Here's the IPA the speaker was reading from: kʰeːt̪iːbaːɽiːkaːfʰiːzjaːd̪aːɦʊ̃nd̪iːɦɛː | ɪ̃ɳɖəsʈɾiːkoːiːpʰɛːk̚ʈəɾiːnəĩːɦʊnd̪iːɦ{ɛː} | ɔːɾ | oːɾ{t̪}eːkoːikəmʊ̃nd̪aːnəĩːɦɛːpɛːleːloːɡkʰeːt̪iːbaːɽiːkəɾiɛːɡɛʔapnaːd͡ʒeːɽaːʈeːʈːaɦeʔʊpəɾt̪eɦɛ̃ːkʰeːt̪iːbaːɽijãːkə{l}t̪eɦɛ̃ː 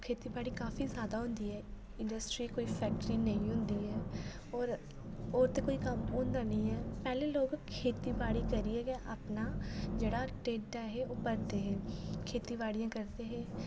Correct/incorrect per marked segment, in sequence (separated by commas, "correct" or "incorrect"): correct, correct, incorrect